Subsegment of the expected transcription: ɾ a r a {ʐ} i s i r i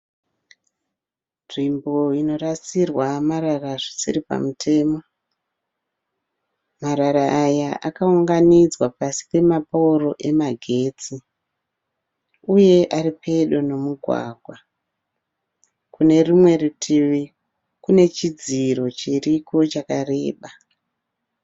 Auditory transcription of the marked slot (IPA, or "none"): ʐ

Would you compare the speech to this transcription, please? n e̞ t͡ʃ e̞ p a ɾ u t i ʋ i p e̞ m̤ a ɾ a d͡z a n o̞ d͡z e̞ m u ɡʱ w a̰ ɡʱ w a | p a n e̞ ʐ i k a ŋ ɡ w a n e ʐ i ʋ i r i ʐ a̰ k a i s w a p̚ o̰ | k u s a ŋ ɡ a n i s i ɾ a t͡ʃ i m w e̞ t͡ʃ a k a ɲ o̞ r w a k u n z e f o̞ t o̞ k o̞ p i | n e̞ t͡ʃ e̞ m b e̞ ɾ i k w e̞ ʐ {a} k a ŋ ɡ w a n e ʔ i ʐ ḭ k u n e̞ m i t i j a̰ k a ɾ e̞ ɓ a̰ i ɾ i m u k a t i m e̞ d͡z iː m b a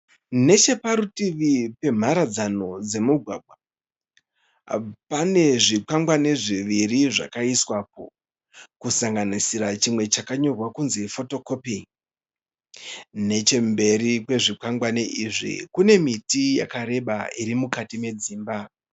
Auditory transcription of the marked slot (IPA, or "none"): i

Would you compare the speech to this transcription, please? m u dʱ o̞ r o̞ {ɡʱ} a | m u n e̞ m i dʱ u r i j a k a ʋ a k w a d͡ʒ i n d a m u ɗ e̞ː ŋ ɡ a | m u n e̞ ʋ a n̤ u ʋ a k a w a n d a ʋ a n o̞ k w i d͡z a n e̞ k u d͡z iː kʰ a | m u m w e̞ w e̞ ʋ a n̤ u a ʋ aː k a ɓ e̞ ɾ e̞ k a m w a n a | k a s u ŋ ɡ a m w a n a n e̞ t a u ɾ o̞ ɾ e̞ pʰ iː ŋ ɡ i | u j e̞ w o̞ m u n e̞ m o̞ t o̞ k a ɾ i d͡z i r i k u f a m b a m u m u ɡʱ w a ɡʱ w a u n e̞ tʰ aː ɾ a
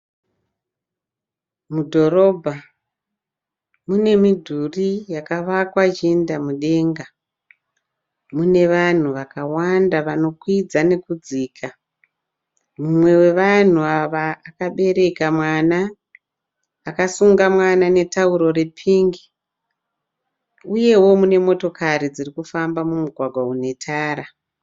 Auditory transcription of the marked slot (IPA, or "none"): bʱ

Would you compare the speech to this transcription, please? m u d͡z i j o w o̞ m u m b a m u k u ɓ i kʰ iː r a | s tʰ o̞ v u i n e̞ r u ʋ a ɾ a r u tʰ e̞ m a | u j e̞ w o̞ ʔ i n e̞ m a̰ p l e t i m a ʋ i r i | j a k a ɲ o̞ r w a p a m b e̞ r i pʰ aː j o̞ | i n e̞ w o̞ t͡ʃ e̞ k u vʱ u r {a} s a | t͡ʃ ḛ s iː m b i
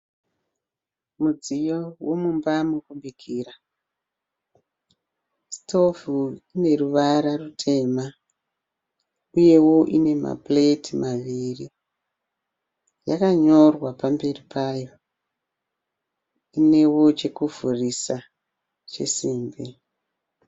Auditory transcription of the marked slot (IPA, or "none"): i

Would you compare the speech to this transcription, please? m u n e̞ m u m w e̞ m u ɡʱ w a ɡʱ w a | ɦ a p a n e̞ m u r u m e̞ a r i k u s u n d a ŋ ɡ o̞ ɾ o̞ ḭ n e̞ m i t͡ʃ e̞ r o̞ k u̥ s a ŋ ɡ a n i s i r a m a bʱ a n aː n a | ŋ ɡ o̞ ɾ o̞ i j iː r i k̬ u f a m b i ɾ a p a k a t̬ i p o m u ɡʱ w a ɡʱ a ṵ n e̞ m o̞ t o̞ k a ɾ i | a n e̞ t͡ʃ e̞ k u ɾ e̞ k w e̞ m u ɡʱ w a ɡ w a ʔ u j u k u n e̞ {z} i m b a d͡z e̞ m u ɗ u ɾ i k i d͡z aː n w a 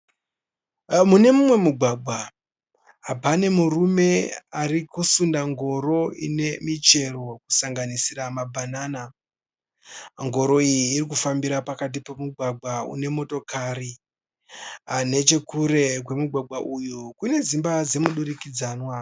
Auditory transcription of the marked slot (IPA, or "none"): z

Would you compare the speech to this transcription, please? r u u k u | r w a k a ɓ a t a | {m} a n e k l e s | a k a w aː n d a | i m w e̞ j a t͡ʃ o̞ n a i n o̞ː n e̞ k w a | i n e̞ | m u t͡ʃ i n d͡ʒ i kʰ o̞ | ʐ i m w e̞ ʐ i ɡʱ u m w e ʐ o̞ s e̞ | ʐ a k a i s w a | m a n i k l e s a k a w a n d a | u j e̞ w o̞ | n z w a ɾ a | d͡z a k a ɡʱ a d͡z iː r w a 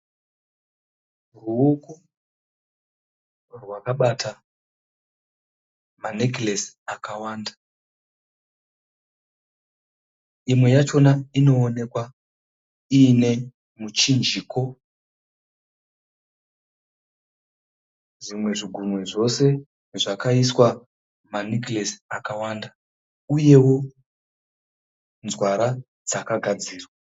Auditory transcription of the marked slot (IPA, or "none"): m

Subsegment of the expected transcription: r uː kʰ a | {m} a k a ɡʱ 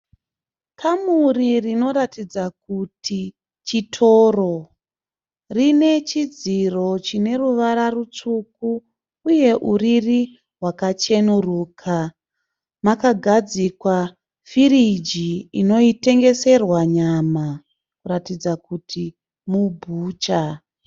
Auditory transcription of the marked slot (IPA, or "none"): m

